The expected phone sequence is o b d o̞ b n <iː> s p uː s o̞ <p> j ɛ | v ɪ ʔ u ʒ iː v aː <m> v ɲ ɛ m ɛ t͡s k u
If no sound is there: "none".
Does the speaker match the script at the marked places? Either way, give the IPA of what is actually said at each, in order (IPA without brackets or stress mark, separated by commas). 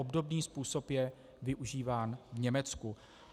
iː, p, n